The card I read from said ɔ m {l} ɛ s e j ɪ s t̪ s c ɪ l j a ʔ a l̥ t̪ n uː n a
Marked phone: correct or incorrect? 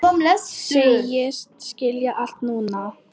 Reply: correct